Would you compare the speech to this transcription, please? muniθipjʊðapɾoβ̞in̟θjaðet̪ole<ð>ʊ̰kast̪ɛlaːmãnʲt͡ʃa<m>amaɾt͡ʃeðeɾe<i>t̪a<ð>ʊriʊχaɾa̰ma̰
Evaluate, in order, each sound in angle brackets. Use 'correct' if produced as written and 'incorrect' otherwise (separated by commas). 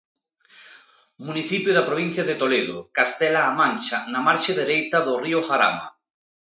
correct, incorrect, incorrect, correct